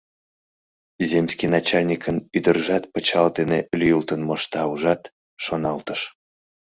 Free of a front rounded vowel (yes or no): no